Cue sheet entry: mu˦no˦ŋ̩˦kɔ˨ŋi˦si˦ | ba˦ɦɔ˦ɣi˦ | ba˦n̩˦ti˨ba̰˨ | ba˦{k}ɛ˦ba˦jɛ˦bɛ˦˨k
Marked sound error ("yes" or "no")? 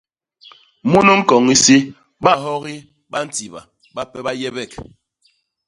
yes